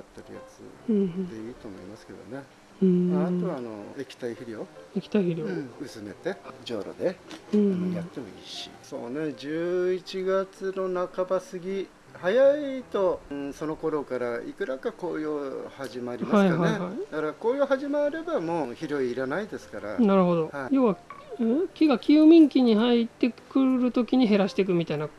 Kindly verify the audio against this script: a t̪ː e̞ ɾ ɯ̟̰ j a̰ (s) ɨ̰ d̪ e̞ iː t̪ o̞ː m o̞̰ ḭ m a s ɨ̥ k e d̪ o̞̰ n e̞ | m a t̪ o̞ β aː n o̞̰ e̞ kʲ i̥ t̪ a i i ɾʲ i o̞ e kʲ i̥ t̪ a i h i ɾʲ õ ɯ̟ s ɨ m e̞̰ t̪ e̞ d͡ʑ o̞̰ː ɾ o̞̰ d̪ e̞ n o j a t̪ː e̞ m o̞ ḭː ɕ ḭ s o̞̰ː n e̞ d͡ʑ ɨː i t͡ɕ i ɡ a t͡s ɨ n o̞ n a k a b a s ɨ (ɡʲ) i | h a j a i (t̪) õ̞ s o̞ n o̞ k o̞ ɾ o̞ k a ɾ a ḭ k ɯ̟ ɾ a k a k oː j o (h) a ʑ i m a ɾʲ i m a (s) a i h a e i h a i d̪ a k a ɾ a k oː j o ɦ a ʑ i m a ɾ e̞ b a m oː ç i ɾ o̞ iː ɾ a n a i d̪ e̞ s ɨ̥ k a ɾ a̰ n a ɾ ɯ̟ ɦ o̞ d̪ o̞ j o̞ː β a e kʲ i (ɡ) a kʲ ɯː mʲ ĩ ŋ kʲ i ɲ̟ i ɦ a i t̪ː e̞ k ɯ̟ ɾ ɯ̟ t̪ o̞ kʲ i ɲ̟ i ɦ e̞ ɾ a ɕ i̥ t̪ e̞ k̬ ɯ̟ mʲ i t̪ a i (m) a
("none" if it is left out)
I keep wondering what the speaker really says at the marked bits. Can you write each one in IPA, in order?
t͡s, ɡʲ, t̪, h, h, ɡ, n

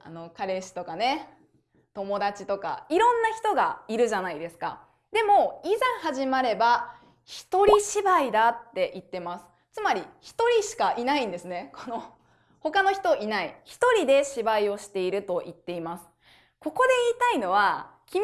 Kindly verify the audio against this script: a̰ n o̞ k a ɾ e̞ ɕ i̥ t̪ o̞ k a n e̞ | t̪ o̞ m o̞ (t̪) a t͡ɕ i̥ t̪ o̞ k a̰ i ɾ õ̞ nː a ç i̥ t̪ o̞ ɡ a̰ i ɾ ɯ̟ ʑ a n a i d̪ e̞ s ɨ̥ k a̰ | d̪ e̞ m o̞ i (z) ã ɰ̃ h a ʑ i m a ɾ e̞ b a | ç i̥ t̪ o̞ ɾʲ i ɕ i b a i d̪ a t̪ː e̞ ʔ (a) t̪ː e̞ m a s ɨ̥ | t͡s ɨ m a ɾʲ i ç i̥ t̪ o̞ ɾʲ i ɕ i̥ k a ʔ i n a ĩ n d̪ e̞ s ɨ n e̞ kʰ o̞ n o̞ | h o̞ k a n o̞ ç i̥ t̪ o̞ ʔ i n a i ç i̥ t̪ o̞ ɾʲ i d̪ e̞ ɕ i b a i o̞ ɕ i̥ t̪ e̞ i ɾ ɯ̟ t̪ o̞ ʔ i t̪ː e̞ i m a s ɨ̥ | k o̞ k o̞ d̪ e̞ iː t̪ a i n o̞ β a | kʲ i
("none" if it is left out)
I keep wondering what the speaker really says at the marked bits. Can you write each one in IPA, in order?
d̪, z, i

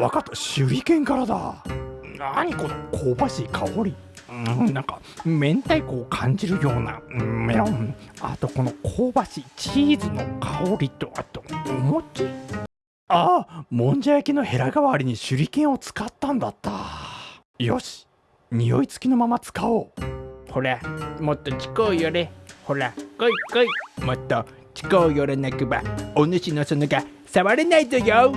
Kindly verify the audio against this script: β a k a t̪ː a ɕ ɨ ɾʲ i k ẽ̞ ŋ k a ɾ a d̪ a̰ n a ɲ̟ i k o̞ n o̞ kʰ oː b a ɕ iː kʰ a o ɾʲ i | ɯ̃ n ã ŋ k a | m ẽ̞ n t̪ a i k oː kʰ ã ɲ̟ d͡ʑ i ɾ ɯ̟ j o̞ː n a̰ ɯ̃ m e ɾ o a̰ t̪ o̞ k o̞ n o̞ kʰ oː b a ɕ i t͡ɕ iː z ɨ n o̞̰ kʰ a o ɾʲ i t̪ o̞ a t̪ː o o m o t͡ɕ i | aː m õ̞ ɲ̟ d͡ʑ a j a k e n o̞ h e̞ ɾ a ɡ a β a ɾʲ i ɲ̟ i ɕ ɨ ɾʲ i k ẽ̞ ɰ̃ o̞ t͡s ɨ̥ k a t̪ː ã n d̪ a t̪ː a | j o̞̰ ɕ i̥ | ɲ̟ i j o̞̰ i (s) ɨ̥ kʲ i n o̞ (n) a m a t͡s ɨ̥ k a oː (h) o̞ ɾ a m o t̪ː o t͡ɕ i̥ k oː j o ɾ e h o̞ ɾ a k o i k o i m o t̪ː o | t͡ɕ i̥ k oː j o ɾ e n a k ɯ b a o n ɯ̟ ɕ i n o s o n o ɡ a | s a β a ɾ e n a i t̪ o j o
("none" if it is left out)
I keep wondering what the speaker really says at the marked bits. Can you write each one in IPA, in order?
t͡s, m, h

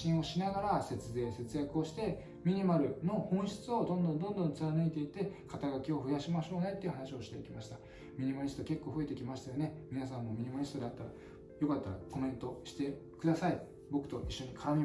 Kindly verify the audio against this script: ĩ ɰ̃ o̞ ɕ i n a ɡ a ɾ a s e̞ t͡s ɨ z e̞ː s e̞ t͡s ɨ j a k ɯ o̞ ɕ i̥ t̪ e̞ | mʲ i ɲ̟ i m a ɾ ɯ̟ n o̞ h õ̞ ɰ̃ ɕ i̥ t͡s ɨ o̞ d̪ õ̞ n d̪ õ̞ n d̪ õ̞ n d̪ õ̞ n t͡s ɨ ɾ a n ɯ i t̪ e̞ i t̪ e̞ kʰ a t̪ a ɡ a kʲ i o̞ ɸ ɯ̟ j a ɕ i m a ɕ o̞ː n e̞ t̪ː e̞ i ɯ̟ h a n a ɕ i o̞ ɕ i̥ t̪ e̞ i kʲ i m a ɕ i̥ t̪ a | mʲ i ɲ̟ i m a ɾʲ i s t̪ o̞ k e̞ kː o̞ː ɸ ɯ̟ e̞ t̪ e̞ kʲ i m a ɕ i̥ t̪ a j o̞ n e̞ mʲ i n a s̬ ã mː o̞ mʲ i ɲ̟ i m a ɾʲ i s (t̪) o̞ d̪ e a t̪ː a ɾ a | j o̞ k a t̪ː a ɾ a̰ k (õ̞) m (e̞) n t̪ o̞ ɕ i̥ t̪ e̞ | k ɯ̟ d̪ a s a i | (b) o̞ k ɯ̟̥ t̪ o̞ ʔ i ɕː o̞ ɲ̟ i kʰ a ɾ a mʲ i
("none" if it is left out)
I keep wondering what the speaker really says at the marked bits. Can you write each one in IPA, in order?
t̪, o̞, ẽ̞, b

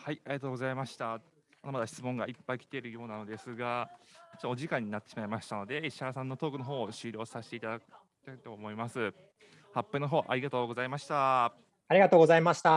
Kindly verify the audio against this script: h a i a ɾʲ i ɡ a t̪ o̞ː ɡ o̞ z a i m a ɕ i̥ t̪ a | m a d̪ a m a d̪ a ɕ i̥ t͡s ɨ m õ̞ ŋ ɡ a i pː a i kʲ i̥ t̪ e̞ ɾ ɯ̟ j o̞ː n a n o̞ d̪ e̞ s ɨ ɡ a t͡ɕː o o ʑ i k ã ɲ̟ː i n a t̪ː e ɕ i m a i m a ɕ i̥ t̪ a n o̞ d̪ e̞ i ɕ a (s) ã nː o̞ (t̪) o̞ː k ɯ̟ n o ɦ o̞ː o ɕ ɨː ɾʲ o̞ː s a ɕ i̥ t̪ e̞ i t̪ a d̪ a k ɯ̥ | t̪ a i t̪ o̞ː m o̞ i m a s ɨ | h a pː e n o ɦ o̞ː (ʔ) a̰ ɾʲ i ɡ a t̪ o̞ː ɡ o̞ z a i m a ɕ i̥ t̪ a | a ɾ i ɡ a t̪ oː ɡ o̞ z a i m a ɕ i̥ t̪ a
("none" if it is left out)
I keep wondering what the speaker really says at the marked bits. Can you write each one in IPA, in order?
s, t̪, ʔ

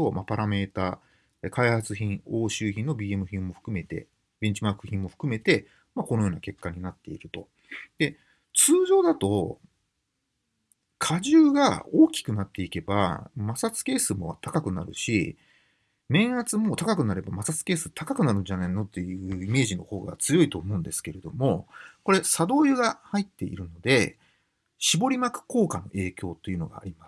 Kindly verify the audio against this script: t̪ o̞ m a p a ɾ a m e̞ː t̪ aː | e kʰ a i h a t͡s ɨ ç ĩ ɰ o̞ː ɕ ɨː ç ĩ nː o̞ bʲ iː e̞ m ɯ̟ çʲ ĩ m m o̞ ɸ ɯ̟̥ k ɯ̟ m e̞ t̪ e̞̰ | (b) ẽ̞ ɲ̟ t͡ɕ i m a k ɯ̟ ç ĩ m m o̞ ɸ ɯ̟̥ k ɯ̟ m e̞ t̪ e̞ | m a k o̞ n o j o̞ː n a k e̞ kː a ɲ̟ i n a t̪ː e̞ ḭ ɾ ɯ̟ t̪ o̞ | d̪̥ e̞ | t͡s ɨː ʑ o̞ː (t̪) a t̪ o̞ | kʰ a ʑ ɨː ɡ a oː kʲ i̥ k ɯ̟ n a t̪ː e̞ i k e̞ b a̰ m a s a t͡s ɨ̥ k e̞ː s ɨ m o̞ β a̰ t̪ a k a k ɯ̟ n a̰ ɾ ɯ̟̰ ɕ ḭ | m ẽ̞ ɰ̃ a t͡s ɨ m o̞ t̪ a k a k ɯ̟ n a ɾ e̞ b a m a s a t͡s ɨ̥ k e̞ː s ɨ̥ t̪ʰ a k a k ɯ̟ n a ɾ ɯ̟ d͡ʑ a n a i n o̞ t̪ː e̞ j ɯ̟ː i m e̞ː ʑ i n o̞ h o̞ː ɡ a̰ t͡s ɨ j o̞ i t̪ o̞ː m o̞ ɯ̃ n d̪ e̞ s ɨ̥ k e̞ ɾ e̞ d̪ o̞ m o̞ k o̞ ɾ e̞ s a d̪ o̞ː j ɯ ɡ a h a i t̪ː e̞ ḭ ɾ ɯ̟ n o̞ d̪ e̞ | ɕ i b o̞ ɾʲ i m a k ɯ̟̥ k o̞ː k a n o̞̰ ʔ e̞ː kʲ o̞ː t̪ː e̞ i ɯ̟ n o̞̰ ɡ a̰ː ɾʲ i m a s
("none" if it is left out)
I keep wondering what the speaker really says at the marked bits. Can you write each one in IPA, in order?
b, d̪

